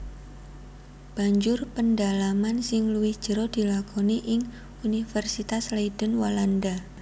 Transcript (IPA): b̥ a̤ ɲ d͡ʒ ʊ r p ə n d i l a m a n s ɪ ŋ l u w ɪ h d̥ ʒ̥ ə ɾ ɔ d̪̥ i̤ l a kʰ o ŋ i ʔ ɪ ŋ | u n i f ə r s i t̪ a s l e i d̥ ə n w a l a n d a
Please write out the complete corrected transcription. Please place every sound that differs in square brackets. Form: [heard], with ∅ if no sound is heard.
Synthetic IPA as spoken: b̥ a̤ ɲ d͡ʒ ʊ r p ə n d [a] l a m a n s ɪ ŋ l u w ɪ h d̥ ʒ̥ ə ɾ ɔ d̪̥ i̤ l a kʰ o [n] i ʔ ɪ ŋ | u n i f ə r s i t̪ a s l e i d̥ ə n w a l a n d a